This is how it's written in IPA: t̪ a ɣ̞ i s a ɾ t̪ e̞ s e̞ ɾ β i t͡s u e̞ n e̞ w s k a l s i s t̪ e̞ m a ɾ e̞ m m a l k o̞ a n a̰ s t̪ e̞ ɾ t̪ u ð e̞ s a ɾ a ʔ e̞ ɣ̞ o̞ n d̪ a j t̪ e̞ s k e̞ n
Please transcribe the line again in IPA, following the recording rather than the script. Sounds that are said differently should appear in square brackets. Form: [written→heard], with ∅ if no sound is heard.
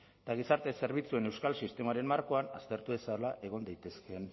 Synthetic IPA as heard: t̪ a ɣ̞ i s a ɾ t̪ e̞ s e̞ ɾ β i t͡s u e̞ n e̞ w s k a l s i s t̪ e̞ m a ɾ e̞ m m a [l→ɾ] k o̞ a n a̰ s t̪ e̞ ɾ t̪ u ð e̞ s a [ɾ→l] a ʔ e̞ ɣ̞ o̞ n d̪ a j t̪ e̞ s k e̞ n